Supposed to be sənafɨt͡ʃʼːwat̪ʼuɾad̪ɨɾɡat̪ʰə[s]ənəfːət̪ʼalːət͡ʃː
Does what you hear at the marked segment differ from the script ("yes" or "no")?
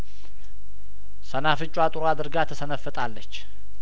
no